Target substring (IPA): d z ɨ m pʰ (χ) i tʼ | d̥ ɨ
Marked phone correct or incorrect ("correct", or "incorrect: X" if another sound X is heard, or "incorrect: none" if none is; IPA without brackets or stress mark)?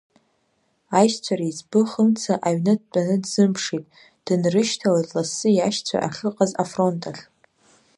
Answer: incorrect: ʂ